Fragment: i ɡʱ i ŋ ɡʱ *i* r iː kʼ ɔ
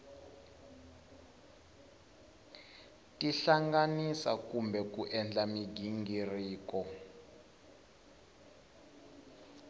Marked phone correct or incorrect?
correct